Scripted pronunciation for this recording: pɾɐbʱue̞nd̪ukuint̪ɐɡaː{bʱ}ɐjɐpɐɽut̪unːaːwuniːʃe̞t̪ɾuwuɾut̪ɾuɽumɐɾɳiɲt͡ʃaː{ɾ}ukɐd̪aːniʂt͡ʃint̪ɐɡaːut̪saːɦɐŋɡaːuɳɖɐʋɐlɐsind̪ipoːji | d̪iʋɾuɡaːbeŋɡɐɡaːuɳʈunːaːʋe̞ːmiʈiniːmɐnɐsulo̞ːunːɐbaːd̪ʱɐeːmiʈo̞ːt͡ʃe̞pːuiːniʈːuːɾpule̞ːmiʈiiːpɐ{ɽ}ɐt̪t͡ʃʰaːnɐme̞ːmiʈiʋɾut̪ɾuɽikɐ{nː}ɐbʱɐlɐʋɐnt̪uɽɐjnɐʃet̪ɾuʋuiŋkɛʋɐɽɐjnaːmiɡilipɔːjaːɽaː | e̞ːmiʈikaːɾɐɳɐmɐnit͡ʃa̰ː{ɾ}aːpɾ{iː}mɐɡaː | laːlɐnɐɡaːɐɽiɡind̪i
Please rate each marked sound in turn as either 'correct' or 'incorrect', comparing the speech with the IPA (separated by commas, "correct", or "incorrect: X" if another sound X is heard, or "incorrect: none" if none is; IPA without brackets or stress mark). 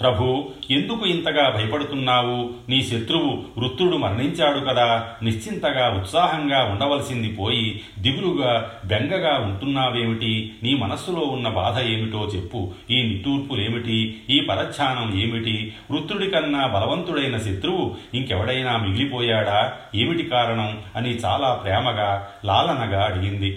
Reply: correct, incorrect: ɽ, incorrect: ɾ, correct, incorrect: l, incorrect: ɛː